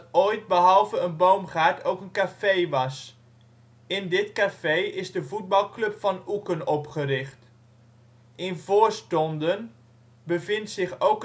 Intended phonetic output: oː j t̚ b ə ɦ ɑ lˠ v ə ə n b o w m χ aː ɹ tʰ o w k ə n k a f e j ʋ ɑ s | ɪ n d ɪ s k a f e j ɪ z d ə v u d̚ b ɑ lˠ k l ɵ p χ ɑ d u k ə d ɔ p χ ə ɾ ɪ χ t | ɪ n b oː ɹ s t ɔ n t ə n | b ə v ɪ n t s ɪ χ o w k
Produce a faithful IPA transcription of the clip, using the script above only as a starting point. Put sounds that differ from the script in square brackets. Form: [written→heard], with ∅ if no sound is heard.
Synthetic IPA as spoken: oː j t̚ b ə ɦ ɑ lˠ v ə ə n b o w m χ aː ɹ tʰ o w k ə n k a f e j ʋ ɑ s | ɪ n d ɪ [s→t] k a f e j ɪ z d ə v u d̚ b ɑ lˠ k l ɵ p [χ→f] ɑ [d→n] u k ə [d→n] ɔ p χ ə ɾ ɪ χ t | ɪ n [b→v] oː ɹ s t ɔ n [t→d] ə n | b ə v ɪ n t s ɪ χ o w k

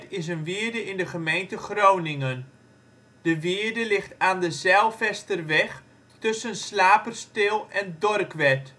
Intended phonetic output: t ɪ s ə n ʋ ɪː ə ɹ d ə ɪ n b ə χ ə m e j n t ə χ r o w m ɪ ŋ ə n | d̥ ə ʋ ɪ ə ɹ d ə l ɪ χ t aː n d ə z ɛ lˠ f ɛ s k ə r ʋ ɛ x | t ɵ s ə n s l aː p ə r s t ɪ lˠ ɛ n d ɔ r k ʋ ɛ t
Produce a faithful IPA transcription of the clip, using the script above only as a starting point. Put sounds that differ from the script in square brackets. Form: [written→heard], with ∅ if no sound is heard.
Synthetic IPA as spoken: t ɪ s ə n ʋ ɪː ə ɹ d ə ɪ n [b→d] ə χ ə m e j n t ə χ r o w [m→n] ɪ ŋ ə n | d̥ ə ʋ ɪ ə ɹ d ə l ɪ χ t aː n d ə z ɛ lˠ f ɛ s [k→t] ə r ʋ ɛ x | t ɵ s ə n s l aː p ə r s t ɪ lˠ ɛ n d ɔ r k ʋ ɛ t

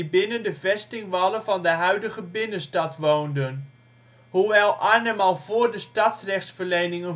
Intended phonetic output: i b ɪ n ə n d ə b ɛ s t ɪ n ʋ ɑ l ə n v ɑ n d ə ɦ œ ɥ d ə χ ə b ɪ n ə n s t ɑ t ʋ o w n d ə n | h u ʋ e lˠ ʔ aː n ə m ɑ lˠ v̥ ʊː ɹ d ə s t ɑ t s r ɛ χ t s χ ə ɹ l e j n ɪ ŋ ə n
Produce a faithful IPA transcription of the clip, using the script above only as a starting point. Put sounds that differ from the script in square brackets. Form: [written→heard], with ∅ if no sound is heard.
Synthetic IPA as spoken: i b ɪ n ə n d ə [b→v] ɛ s t ɪ [n→ŋ] ʋ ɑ l ə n v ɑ n d ə ɦ œ ɥ d ə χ ə b ɪ n ə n s t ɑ t ʋ o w n d ə n | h u ʋ [e→ɛ] lˠ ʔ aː n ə m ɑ lˠ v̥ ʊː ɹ d ə s t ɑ t s r ɛ χ t s [χ→f] ə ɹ l e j n ɪ ŋ ə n

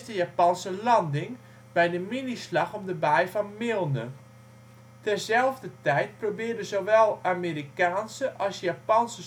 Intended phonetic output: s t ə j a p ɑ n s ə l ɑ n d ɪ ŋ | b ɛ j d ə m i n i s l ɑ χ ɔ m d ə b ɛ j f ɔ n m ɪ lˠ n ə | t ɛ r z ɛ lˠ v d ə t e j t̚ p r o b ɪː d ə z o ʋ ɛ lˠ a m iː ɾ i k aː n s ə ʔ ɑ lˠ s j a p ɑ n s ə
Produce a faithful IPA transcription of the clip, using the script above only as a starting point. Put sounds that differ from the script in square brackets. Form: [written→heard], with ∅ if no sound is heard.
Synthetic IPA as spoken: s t ə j a p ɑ n s ə l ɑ n d ɪ ŋ | b ɛ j d ə m i n i s l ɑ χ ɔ m d ə b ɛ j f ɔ n m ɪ lˠ n ə | t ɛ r z ɛ lˠ v d ə t [e→ɛ] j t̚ p r o b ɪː d ə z o ʋ ɛ lˠ a m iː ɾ i k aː n s ə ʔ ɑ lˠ s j a p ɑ n s ə

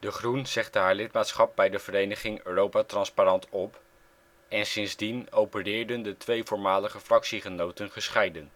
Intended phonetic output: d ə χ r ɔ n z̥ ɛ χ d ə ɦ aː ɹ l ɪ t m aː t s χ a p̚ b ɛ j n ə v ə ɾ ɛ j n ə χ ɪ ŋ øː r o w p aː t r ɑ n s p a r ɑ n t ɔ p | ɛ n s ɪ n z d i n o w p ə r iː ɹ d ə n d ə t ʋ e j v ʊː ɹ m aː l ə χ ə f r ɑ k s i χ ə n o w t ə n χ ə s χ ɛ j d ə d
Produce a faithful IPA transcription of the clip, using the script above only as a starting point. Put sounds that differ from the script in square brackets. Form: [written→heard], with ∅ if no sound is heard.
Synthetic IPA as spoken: d ə χ r [ɔ→u] n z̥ ɛ χ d ə ɦ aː ɹ l ɪ t m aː t s χ [a→ɑ] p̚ b ɛ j [n→d] ə v ə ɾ [ɛ→e] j n ə χ ɪ ŋ øː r o w p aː t r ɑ n s p a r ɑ n t ɔ p | ɛ n s ɪ n z d i n o w p ə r [iː→ɪː] ɹ d ə n d ə t ʋ e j v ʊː ɹ m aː l ə χ ə f r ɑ k s i χ ə n o w t ə n χ ə s χ ɛ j d ə [d→n]

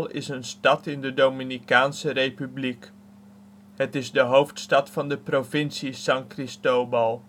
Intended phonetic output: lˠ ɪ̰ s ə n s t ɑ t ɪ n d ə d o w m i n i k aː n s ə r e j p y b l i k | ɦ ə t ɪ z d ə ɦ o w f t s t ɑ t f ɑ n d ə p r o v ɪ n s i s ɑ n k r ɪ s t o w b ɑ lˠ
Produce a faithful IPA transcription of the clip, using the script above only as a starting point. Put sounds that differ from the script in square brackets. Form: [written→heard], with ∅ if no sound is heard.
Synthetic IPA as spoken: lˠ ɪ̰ s ə n s t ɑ t ɪ n d ə d o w m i n i k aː n s ə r e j p y b l i k | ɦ ə t ɪ z d ə ɦ o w f t s t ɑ t f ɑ n d ə p r o v ɪ n s i s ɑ [n→ŋ] k r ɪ s t o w b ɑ lˠ

